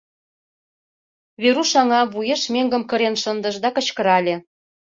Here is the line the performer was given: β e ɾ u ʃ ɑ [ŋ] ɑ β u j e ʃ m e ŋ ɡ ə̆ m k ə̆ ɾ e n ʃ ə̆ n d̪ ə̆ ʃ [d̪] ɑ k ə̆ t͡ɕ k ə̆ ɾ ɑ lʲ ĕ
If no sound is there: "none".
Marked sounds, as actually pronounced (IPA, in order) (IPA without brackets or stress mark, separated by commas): ŋ, d̪